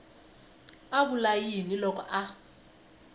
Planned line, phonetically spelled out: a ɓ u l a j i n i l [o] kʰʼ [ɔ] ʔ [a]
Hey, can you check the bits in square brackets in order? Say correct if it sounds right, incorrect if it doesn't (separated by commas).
incorrect, correct, correct